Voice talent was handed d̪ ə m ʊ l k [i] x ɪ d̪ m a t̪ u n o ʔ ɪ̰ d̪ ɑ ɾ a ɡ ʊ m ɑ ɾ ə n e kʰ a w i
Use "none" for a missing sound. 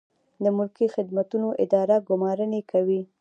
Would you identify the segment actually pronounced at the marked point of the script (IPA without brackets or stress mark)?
i